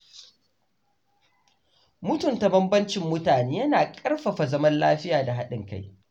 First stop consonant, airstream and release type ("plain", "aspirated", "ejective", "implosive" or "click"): plain